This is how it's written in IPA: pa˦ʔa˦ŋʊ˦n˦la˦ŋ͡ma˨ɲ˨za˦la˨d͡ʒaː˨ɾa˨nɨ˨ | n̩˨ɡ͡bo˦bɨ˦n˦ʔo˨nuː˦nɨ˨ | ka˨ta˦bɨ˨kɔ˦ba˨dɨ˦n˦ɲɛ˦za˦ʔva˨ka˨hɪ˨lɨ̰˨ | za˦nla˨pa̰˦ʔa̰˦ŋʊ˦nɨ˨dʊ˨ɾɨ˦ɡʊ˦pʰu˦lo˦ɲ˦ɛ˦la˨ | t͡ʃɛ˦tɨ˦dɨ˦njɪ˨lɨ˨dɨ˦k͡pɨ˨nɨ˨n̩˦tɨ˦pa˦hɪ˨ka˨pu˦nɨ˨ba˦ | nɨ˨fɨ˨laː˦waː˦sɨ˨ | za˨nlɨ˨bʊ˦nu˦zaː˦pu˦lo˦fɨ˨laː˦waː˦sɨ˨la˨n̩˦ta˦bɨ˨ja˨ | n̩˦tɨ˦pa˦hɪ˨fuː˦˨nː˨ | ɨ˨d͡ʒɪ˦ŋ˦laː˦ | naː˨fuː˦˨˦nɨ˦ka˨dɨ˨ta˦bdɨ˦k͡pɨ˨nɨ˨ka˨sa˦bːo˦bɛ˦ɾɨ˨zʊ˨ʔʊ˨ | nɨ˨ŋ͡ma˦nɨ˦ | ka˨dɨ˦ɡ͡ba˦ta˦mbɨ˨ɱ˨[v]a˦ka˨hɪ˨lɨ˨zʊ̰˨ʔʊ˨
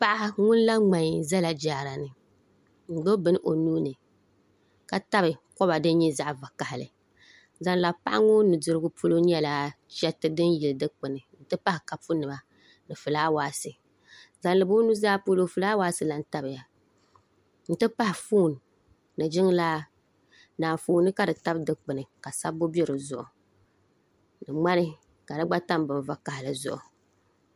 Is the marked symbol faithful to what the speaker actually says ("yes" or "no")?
yes